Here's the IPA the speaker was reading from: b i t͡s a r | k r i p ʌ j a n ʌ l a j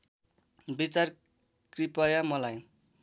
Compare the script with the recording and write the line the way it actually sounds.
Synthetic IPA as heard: b i t͡s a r | k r i p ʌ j a m ʌ l a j